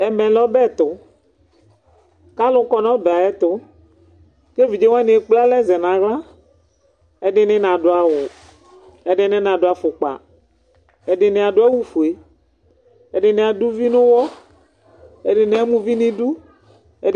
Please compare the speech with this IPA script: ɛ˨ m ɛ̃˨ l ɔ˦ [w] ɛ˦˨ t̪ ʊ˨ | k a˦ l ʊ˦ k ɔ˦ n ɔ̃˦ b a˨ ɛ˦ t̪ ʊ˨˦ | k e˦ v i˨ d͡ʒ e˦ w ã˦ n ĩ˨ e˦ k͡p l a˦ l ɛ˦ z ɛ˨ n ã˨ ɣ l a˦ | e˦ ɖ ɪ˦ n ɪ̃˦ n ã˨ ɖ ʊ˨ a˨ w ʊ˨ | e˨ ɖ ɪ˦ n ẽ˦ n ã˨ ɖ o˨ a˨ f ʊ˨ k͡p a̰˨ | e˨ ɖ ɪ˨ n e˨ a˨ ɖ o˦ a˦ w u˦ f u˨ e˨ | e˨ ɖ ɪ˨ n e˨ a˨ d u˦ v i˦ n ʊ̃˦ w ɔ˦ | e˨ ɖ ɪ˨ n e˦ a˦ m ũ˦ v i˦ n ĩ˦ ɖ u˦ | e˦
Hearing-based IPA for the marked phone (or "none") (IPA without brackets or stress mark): b